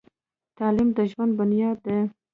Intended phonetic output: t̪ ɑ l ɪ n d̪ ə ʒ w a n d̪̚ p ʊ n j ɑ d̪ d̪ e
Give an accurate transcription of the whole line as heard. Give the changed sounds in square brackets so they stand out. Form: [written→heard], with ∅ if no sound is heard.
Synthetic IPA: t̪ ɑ l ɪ [n→m] d̪ ə ʒ w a n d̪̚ [p→b] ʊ n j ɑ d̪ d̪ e